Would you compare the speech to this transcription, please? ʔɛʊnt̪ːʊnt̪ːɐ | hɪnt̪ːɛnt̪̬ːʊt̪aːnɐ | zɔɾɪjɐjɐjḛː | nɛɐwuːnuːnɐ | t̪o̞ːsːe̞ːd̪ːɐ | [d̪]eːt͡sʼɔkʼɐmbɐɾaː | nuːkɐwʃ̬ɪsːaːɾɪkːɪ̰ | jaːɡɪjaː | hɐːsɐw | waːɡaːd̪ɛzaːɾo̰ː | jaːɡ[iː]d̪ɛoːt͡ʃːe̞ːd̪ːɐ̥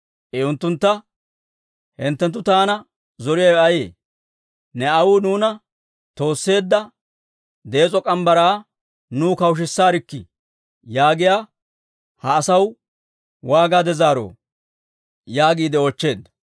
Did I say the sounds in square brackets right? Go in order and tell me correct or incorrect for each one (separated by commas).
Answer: correct, correct